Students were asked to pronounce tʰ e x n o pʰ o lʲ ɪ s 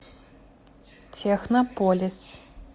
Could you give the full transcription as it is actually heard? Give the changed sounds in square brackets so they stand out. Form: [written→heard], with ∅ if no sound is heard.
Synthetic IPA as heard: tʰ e x n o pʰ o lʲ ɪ s